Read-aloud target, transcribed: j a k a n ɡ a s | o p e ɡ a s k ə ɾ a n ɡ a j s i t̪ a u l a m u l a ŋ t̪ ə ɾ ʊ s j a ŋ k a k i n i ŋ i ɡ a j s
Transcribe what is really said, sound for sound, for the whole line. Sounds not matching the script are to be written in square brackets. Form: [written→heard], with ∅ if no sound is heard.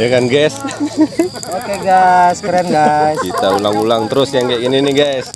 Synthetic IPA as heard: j a k a n ɡ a s | o [p→k] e ɡ a s k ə ɾ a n ɡ a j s i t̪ a u l a [m→ŋ] u l a ŋ t̪ ə ɾ ʊ s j a ŋ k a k i n i [ŋ→n] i ɡ a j s

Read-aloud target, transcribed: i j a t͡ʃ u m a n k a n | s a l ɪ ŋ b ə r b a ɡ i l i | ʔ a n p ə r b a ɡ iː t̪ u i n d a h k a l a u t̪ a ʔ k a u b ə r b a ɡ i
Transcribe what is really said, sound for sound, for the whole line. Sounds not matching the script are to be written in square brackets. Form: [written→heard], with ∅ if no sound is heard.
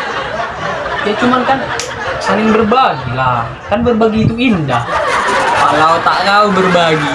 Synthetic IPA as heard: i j a t͡ʃ u m a n k a n | s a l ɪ ŋ b ə r b a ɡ i l [i→a] | [ʔ→k] a n [p→b] ə r b a ɡ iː t̪ u i n d a h k a l a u t̪ a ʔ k a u b ə r b a ɡ i

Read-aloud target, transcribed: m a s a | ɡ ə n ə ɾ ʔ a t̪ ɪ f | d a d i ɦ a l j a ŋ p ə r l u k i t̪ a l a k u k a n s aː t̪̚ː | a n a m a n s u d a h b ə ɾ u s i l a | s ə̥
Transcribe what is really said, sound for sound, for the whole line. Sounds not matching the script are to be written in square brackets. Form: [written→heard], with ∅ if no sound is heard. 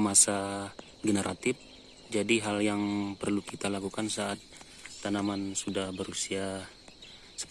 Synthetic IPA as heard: m a s a | ɡ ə n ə ɾ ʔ a t̪ ɪ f | [d→d͡ʒ] a d i ɦ a l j a ŋ p ə r l u k i t̪ a l a k u k a n s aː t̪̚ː | a n a m a n s u d a h b ə ɾ u s i [l→∅] a | s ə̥

